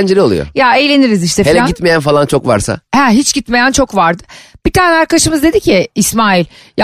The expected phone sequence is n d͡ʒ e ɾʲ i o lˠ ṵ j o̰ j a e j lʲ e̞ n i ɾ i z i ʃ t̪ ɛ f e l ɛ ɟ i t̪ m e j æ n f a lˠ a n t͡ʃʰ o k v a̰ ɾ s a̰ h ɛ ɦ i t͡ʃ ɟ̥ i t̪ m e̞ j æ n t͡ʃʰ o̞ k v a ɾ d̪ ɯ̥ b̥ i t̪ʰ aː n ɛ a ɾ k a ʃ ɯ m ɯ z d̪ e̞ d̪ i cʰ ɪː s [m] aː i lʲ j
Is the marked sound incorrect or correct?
correct